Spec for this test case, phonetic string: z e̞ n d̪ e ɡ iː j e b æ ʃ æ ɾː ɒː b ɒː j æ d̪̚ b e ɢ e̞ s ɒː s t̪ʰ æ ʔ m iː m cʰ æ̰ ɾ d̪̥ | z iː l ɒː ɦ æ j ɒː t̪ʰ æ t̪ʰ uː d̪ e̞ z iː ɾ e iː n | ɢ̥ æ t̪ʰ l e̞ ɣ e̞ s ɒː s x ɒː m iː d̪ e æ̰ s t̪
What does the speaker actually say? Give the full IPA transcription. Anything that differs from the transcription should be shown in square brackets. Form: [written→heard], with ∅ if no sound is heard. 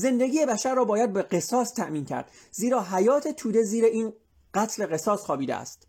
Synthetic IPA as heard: z e̞ n d̪ e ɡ iː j e b æ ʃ æ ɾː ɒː b ɒː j æ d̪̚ b e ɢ e̞ s ɒː s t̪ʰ æ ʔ m iː [m→n] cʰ æ̰ ɾ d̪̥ | z iː [l→ɾ] ɒː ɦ æ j ɒː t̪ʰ [æ→e] t̪ʰ uː d̪ e̞ z iː ɾ e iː n | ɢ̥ æ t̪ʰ l e̞ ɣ e̞ s ɒː s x ɒː [m→b] iː d̪ e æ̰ s t̪